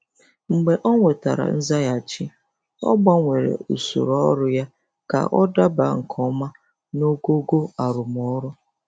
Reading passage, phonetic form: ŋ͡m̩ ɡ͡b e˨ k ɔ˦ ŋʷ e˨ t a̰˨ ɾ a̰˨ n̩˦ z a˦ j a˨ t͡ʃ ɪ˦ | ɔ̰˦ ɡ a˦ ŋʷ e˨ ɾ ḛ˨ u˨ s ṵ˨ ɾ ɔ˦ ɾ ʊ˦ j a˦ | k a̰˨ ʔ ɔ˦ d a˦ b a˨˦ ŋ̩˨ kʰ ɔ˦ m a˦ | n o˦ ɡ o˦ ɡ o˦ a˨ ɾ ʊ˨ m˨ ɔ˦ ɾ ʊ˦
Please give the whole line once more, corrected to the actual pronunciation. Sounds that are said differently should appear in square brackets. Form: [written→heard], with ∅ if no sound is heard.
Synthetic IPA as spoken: ŋ͡m̩ ɡ͡b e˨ [k→ʔ] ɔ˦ ŋʷ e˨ t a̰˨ ɾ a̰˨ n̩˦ z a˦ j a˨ t͡ʃ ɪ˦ | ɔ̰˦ [ɡ→ɡ͡b] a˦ ŋʷ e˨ ɾ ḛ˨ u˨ s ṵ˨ ɾ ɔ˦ ɾ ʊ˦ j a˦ | k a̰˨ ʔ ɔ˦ d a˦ b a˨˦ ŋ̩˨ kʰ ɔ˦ m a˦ | n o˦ ɡ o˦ ɡ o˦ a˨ ɾ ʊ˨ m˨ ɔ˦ ɾ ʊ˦

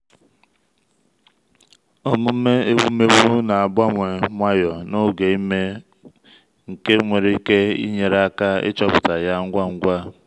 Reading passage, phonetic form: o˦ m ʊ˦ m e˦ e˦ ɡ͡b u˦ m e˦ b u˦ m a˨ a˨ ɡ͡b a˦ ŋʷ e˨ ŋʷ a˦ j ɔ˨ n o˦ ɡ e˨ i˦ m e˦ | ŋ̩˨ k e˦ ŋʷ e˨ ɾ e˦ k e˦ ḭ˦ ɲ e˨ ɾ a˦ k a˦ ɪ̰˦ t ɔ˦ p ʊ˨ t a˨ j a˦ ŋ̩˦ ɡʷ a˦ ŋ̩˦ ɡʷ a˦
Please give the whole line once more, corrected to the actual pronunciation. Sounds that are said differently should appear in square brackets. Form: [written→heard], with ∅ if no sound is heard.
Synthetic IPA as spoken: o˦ m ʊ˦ m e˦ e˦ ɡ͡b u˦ m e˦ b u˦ [m→n] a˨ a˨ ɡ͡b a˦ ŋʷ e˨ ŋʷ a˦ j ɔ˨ n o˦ ɡ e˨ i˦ m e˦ | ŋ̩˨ k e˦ ŋʷ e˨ ɾ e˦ k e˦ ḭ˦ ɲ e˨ ɾ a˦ k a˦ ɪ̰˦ [t→t͡ʃ] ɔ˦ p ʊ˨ t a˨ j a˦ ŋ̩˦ ɡʷ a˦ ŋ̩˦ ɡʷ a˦

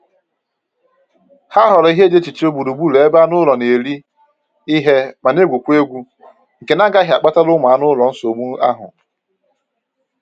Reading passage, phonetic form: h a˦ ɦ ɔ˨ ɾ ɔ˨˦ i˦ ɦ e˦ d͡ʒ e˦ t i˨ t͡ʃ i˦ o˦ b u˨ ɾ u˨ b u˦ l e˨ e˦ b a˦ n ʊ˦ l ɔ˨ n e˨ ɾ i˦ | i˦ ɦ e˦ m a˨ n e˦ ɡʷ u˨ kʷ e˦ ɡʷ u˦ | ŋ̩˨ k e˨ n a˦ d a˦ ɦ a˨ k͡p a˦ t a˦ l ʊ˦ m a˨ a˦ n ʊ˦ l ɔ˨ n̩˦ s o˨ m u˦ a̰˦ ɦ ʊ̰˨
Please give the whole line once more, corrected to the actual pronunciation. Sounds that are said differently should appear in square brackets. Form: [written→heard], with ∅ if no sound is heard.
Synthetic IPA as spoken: h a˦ ɦ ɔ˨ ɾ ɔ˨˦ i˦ ɦ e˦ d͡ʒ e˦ [t→t͡ʃ] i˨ t͡ʃ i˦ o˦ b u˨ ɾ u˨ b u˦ l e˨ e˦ b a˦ n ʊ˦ l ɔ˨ n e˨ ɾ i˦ | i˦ ɦ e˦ m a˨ n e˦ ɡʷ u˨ kʷ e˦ ɡʷ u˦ | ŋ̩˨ k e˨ n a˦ [d→ɡ] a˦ ɦ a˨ k͡p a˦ t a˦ l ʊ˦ m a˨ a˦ n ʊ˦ l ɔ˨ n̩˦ s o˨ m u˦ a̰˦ ɦ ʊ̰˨

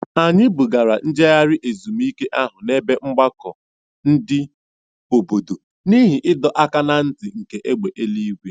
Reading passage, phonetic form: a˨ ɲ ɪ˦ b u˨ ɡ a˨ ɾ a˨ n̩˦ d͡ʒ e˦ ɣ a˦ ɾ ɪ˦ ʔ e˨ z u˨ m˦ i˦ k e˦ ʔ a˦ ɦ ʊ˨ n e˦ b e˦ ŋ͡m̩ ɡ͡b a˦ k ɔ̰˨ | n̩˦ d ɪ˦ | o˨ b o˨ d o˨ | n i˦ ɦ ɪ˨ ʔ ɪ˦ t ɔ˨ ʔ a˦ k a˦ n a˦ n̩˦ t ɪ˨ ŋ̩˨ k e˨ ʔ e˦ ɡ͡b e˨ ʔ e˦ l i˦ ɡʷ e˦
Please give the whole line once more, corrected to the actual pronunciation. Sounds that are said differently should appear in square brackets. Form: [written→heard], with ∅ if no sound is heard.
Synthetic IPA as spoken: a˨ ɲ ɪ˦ b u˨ ɡ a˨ ɾ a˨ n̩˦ d͡ʒ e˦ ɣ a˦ ɾ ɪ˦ ʔ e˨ z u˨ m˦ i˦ k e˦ ʔ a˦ ɦ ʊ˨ n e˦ b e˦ ŋ͡m̩ ɡ͡b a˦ k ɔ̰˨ | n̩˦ d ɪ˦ | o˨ b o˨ d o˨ | n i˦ ɦ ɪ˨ ʔ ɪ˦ [t→d] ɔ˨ ʔ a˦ k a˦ n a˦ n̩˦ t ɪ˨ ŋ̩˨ k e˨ ʔ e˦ ɡ͡b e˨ ʔ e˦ l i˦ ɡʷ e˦

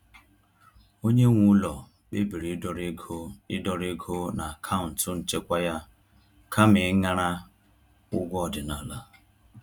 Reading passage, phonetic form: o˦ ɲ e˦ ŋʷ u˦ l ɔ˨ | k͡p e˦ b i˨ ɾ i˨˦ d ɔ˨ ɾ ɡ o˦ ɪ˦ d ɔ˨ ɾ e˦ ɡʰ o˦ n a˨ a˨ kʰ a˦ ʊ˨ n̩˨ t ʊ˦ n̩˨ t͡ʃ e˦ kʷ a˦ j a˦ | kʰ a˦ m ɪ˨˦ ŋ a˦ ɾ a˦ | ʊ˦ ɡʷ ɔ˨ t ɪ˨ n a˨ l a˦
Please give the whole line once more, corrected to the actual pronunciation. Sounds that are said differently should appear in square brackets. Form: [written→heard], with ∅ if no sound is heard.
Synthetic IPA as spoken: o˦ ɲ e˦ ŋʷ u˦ l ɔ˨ | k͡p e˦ b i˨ ɾ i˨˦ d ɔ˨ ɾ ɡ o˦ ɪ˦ d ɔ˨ ɾ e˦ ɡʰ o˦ n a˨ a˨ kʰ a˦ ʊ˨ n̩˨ t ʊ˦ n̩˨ t͡ʃ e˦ kʷ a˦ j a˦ | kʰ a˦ m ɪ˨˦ ŋ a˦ ɾ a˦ | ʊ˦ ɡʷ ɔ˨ [t→d] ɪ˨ n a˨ l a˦

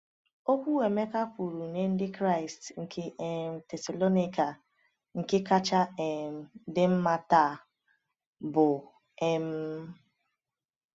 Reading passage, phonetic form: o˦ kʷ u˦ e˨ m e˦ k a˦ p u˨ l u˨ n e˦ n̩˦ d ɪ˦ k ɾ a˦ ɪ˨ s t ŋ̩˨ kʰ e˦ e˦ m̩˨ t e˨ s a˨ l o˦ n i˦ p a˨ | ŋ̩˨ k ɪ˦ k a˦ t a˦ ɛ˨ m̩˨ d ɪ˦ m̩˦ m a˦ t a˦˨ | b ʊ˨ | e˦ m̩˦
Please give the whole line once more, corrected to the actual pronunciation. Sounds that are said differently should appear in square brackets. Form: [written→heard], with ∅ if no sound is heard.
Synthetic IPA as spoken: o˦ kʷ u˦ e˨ m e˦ k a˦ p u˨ [l→ɾ] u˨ n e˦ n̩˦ d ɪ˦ k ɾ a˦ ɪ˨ s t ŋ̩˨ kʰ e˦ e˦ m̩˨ t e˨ s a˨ l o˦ n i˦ [p→k] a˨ | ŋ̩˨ k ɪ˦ k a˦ [t→t͡ʃ] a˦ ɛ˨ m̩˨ d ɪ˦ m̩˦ m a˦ t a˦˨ | b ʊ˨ | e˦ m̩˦

